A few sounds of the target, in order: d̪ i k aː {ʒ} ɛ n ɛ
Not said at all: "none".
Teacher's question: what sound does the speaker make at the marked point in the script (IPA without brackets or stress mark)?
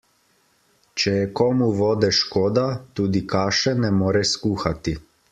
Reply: ʃ